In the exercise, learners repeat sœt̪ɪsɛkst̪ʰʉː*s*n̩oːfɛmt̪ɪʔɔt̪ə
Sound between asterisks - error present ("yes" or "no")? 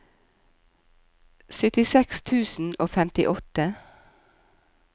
no